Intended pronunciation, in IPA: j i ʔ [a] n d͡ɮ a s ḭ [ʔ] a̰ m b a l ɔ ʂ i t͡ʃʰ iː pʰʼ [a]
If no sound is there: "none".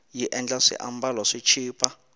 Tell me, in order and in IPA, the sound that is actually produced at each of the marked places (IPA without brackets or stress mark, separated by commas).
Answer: ɛ, ʔ, a